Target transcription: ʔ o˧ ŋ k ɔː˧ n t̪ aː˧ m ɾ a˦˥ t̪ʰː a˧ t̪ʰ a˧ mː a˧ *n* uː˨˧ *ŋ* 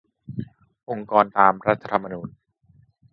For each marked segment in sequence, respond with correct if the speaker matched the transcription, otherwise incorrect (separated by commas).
correct, incorrect